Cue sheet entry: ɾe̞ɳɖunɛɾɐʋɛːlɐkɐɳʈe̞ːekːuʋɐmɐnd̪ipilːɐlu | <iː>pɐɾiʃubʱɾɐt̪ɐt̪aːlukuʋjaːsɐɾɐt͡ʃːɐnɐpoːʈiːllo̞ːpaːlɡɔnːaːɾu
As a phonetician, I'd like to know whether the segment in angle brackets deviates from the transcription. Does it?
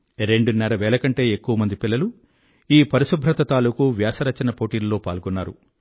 no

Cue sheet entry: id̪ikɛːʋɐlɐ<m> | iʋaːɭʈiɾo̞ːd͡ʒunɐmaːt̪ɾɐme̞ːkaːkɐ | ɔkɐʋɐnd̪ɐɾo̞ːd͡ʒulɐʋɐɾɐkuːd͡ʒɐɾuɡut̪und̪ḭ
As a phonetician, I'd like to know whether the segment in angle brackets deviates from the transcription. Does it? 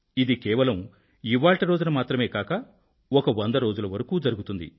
no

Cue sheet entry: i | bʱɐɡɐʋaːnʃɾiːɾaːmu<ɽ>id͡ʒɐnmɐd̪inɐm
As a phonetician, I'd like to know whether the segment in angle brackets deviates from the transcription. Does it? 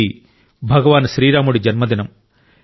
no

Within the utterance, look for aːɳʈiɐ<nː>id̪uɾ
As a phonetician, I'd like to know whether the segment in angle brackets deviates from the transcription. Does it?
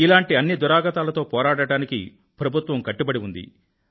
no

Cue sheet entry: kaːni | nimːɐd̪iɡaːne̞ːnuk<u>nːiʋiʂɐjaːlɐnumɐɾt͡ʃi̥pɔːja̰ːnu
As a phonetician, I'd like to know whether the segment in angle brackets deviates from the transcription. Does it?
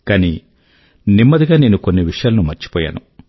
yes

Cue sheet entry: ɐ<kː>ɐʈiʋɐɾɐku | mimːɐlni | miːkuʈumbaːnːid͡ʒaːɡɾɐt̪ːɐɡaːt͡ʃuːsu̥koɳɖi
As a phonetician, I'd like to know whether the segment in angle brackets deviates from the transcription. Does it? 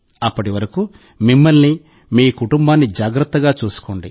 yes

